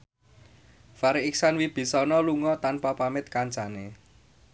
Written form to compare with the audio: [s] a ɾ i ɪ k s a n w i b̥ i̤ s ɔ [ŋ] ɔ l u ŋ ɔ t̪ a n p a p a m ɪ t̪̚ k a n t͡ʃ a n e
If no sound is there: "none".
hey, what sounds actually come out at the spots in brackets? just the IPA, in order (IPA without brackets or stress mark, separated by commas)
f, n